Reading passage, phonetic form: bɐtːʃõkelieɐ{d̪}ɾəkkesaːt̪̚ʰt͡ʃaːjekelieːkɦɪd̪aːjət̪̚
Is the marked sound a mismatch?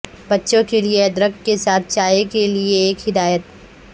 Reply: no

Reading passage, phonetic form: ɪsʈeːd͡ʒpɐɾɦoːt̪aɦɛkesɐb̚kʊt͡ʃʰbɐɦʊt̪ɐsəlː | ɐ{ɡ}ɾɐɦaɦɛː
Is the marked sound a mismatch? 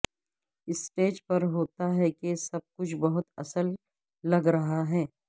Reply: no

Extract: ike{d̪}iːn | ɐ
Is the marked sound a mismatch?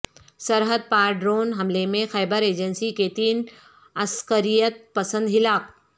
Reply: yes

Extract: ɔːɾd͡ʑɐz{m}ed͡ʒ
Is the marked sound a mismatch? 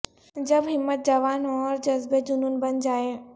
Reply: yes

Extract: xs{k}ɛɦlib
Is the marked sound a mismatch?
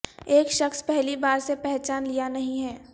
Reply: yes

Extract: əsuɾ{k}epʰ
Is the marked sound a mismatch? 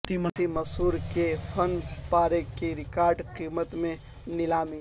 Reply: no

